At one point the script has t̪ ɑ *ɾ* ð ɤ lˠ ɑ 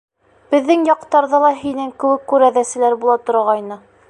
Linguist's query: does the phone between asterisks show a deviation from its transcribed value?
no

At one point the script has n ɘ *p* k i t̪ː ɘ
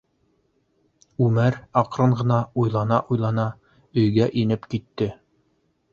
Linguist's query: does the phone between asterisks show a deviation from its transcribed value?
no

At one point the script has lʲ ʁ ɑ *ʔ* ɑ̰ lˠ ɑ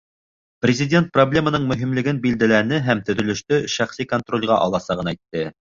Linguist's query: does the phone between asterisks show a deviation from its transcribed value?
no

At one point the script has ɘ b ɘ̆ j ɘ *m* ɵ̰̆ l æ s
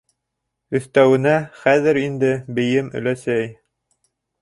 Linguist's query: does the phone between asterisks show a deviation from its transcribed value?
no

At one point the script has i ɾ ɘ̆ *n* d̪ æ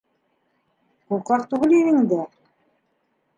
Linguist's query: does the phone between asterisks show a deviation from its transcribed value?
yes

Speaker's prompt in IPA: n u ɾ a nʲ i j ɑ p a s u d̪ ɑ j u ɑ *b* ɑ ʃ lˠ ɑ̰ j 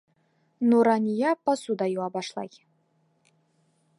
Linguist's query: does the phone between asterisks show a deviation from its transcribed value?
no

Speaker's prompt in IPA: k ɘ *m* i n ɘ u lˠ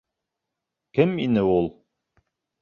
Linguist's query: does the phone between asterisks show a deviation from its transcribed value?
no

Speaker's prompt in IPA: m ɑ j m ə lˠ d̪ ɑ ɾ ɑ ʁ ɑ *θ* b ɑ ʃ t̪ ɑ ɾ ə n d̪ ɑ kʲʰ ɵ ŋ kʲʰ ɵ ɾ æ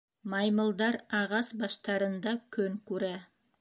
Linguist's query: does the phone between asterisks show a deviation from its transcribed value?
yes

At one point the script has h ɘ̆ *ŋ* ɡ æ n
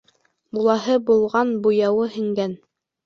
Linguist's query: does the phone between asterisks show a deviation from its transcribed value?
no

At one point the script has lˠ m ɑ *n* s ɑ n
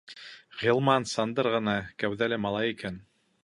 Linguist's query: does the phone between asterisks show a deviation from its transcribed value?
no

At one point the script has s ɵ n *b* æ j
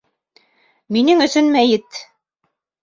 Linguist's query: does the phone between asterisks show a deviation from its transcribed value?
yes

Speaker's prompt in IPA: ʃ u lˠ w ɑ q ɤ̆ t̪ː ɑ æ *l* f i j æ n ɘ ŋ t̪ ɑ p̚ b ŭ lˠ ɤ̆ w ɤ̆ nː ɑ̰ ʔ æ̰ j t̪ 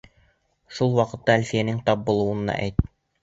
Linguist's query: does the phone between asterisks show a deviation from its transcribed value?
no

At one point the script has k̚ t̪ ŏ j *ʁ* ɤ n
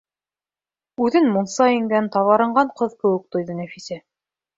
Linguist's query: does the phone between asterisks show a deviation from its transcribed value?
yes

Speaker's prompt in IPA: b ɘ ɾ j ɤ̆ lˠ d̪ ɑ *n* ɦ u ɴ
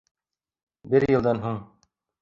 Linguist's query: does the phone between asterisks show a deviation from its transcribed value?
no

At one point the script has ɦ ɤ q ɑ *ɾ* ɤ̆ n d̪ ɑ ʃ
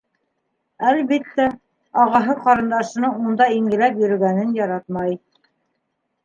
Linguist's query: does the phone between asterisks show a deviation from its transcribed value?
no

